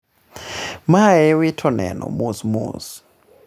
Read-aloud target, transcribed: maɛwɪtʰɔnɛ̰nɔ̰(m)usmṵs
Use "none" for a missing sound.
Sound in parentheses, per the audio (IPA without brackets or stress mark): m